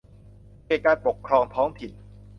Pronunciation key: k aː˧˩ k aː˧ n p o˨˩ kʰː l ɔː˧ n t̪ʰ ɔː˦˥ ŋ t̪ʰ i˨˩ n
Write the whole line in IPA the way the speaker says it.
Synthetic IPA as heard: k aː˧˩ k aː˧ n p o˨˩ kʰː ɾ ɔː˧ ŋ t̪ʰ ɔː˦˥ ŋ t̪ʰ i˨˩ n